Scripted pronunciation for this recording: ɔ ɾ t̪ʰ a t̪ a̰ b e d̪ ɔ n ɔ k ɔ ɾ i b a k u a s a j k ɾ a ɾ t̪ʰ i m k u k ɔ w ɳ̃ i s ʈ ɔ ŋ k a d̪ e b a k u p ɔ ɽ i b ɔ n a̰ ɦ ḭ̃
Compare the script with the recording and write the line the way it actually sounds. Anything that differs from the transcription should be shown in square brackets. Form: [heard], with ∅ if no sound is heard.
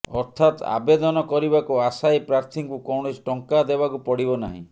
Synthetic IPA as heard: ɔ ɾ t̪ʰ a t̪ a̰ b e d̪ ɔ n ɔ k ɔ ɾ i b a k u a s a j [p] ɾ a ɾ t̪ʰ i [ŋ] k u k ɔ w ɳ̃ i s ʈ ɔ ŋ k a d̪ e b a k u p ɔ ɽ i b ɔ n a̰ ɦ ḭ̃

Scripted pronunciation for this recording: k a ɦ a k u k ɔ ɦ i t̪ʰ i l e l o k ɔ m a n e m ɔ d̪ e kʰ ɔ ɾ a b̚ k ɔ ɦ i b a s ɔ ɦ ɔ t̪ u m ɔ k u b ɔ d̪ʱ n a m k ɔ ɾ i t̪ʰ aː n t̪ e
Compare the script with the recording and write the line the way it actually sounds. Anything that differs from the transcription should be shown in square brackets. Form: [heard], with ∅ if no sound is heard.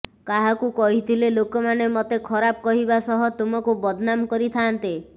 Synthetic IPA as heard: k a ɦ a k u k ɔ ɦ i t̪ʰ i l e l o k ɔ m a n e m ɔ [t̪] e kʰ ɔ ɾ a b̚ k ɔ ɦ i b a s ɔ ɦ ɔ t̪ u m ɔ k u b ɔ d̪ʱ n a m k ɔ ɾ i t̪ʰ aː n t̪ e

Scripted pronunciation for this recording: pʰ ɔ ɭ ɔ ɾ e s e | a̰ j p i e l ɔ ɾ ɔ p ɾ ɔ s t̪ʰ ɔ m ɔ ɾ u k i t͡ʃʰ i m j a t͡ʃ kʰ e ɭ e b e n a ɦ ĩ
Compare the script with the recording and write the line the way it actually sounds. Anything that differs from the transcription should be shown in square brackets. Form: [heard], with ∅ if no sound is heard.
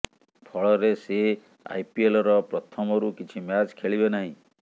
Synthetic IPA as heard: pʰ ɔ ɭ ɔ ɾ e s e | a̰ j p i e l ɔ ɾ ɔ p ɾ ɔ [∅] t̪ʰ ɔ m ɔ ɾ u k i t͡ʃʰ i m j a t͡ʃ kʰ e ɭ [i] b e n a ɦ ĩ

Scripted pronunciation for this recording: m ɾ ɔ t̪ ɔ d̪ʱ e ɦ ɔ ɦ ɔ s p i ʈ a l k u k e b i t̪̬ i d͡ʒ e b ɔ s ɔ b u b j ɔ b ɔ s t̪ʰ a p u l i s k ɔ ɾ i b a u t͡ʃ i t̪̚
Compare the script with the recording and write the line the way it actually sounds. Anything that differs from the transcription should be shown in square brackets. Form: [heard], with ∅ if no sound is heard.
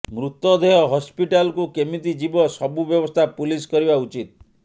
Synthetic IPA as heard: m ɾ [u] t̪ ɔ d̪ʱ e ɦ ɔ ɦ ɔ s p i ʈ a l k u k e [m] i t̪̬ i d͡ʒ [i] b ɔ s ɔ b u b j ɔ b ɔ s t̪ʰ a p u l i s k ɔ ɾ i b a u t͡ʃ i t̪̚

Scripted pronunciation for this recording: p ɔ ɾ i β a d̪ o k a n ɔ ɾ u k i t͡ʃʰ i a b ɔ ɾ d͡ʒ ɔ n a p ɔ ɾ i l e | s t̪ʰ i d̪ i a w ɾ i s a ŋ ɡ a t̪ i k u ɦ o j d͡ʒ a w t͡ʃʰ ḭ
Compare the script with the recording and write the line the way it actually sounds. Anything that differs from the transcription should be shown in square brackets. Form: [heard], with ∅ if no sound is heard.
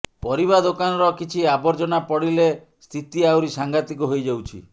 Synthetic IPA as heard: p ɔ ɾ i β a d̪ o k a n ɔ ɾ [ɔ] k i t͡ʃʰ i a b ɔ ɾ d͡ʒ ɔ n a p ɔ [ɽ] i l e | s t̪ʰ i [t̪] i a w ɾ i s a ŋ ɡ a t̪ i k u ɦ o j d͡ʒ a w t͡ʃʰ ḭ

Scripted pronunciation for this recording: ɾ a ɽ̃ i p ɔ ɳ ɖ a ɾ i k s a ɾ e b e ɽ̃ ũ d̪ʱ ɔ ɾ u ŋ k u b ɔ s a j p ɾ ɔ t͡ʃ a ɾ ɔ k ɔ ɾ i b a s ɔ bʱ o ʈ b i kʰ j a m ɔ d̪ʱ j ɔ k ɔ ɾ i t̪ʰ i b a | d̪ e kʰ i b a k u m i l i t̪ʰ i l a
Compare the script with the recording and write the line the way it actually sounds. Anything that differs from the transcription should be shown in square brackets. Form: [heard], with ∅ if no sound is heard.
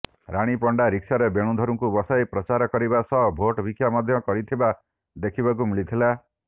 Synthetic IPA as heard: ɾ a ɽ̃ i p ɔ ɳ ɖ a ɾ i k s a ɾ e b e ɽ̃ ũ d̪ʱ ɔ ɾ u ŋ k u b ɔ s a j p ɾ ɔ t͡ʃ a ɾ ɔ k ɔ ɾ i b a s ɔ bʱ o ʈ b i kʰ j a m ɔ d̪ʱ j ɔ k ɔ ɾ i t̪ʰ i b a | d̪ e kʰ i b a k u m i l i t̪ʰ i l a

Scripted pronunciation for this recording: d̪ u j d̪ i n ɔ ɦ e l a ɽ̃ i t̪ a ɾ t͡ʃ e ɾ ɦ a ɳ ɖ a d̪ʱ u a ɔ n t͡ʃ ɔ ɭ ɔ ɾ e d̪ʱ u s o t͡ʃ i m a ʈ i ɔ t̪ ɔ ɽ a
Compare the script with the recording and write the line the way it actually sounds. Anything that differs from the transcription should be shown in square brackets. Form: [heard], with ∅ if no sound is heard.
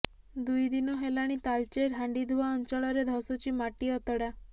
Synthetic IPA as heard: d̪ u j d̪ i n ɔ ɦ e l a ɽ̃ i t̪ a [l] t͡ʃ e ɾ ɦ a ɳ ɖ [i] d̪ʱ u a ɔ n t͡ʃ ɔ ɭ ɔ ɾ e d̪ʱ [ɔ] s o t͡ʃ i m a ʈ i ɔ t̪ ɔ ɽ a

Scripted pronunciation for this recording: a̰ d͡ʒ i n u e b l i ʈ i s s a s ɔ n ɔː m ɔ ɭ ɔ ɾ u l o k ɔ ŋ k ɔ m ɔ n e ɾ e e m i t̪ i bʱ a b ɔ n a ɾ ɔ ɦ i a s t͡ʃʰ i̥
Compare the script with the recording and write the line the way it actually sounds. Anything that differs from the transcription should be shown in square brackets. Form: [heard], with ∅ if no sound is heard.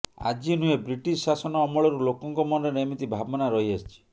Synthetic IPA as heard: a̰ d͡ʒ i n u e b [ɾ] i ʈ i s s a s ɔ n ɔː m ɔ ɭ ɔ ɾ u l o k ɔ ŋ k ɔ m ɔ n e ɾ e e m i t̪ i bʱ a b ɔ n a ɾ ɔ ɦ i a s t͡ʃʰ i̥

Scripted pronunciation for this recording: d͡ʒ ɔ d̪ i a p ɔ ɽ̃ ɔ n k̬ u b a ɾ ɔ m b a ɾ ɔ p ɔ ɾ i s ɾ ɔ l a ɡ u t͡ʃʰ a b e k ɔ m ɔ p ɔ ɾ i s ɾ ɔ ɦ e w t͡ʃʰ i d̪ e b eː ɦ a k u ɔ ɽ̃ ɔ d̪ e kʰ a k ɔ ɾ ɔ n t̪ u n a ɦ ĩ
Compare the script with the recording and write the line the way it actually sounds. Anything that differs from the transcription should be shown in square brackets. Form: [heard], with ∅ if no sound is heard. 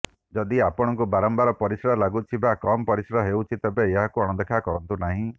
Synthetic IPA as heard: d͡ʒ ɔ d̪ i a p ɔ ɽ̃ ɔ [ŋ] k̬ u b a ɾ ɔ m b a ɾ ɔ p ɔ ɾ i s ɾ ɔ l a ɡ u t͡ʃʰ [i] b [a] k ɔ m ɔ p ɔ ɾ i s ɾ ɔ ɦ e w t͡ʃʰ i [t̪] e b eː ɦ a k u ɔ ɽ̃ ɔ d̪ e kʰ a k ɔ ɾ ɔ n t̪ u n a ɦ ĩ

